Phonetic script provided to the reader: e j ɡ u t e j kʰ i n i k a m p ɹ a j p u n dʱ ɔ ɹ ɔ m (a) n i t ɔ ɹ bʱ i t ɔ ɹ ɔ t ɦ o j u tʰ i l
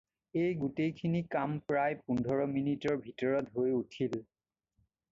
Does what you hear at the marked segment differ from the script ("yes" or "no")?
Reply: yes